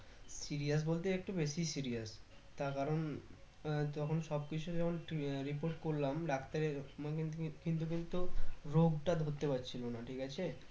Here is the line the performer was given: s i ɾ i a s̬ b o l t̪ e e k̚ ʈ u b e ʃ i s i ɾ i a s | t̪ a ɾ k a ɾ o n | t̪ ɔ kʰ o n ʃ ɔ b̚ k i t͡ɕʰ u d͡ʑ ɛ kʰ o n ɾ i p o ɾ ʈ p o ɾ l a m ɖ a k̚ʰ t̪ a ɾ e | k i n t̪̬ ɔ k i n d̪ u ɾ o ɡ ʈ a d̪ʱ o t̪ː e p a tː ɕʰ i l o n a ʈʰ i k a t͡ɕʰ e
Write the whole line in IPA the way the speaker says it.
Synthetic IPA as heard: s i ɾ i a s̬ b o l t̪ e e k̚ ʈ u b e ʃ i s i ɾ i a s | t̪ a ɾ k a ɾ o n | t̪ ɔ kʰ o n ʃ ɔ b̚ k i t͡ɕʰ u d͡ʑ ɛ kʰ o n ɾ i p o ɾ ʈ k o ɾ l a m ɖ a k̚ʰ t̪ a ɾ e | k i n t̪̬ u k i n t̪ u ɾ o ɡ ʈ a d̪ʱ o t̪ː e p a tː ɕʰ i l o n a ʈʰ i k a t͡ɕʰ e